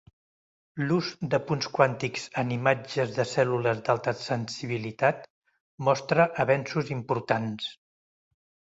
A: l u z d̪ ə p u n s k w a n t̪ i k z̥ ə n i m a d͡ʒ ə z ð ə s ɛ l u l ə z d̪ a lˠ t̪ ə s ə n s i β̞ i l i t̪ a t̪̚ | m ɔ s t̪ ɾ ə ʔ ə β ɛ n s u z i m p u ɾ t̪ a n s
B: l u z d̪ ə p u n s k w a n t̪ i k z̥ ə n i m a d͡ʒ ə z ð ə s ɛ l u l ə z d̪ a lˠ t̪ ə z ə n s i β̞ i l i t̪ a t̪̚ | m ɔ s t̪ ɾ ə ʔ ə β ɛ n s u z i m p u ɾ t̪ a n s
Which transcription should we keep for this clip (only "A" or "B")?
A